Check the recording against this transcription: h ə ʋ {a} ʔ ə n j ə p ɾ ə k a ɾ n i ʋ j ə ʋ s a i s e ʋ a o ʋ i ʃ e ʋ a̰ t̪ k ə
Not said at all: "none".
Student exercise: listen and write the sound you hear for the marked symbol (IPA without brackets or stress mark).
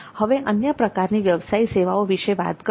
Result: e